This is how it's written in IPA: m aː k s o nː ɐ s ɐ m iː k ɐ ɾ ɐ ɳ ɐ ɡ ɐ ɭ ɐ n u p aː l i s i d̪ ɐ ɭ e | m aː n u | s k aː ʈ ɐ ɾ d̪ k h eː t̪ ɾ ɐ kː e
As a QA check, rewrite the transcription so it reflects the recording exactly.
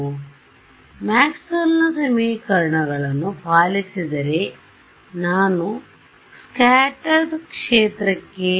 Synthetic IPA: m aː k s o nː ɐ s ɐ m iː k ɐ ɾ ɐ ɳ ɐ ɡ ɐ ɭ ɐ n u p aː l i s i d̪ ɐ ɾ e | n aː n u | s k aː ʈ ɐ ɾ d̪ k ʂ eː t̪ ɾ ɐ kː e